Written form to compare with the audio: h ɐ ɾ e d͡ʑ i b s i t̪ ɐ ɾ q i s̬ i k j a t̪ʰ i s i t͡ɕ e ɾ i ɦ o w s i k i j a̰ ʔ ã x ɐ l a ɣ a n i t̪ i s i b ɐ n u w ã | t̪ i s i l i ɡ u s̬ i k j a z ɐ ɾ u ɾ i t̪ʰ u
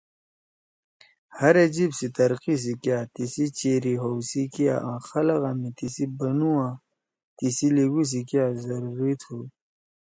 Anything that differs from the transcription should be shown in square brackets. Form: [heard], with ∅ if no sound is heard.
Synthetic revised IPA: h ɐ ɾ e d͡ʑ i b s i t̪ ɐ ɾ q i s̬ i k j a [t̪] i s i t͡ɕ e ɾ i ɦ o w s i k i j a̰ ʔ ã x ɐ l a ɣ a [m] i t̪ i s i b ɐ n u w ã | t̪ i s i l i ɡ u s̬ i k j a z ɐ ɾ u ɾ i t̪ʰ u